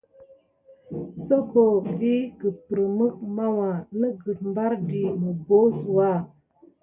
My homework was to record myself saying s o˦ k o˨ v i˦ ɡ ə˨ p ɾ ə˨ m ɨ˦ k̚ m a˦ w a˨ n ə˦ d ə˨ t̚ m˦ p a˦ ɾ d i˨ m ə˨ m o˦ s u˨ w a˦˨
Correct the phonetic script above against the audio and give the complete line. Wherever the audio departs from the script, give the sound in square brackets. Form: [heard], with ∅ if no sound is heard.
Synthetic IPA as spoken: s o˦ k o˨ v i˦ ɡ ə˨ p ɾ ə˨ m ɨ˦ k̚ m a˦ w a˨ n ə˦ [ɡ] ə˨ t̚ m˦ [b] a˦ ɾ d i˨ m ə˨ [b] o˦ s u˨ w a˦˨